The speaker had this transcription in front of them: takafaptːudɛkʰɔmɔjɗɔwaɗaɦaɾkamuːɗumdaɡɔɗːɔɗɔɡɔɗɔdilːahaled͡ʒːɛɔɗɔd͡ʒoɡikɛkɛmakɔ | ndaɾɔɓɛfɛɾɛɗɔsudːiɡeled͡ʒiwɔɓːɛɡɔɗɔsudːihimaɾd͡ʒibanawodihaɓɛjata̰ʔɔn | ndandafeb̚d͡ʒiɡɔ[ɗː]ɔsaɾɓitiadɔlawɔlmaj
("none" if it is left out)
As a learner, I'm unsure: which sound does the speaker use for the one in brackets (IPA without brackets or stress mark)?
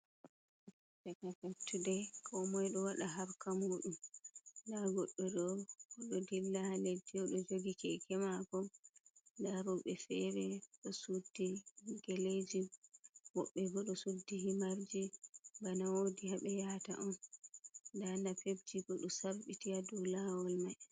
ɗ